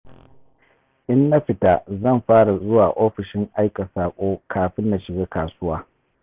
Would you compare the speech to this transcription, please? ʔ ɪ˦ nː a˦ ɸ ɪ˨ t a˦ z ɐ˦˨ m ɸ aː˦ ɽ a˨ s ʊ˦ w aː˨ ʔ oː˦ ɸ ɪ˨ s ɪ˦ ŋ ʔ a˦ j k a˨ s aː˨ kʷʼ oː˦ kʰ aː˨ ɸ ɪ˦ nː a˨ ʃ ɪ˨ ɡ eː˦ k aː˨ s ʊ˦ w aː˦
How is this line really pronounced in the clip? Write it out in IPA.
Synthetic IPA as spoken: ʔ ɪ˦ nː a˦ ɸ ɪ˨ t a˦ z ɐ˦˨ m ɸ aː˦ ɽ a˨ z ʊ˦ w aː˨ ʔ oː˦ ɸ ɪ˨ ʃ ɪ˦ ŋ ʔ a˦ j k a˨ s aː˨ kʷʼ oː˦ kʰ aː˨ ɸ ɪ˦ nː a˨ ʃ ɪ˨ ɡ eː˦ k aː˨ s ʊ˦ w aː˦